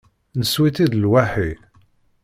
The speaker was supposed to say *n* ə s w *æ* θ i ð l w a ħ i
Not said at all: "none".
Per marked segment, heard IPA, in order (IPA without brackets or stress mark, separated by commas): n, i